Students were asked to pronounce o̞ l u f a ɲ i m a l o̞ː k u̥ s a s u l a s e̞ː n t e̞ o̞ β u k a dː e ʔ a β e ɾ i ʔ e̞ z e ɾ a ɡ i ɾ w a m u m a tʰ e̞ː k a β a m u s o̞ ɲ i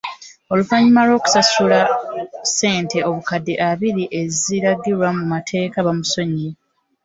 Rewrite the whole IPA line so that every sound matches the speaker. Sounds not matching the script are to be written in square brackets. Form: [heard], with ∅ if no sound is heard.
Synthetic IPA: o̞ l u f a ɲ i m a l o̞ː k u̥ s a s u l a s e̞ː n t e̞ o̞ β u k a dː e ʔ a β [i] ɾ i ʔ e̞ z [i] ɾ a ɡ i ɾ w a m u m a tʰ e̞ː k a β a m u s o̞ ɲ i